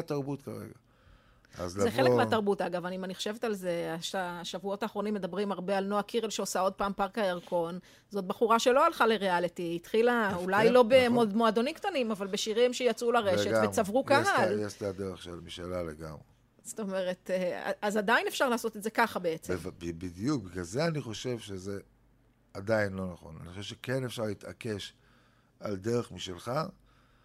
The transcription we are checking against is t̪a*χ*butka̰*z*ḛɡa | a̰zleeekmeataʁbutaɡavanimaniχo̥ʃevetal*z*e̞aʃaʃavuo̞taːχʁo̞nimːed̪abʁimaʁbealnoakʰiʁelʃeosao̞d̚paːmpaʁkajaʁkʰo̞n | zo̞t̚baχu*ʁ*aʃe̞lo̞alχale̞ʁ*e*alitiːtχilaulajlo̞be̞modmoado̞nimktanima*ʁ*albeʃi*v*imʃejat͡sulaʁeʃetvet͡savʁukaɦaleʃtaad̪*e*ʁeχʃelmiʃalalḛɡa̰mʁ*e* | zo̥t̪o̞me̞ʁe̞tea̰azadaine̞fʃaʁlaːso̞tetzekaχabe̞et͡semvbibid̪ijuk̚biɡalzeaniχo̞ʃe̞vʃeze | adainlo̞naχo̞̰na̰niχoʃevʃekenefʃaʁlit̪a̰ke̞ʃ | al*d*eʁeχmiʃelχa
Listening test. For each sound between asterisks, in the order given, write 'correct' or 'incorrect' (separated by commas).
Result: incorrect, incorrect, correct, correct, correct, incorrect, incorrect, correct, correct, correct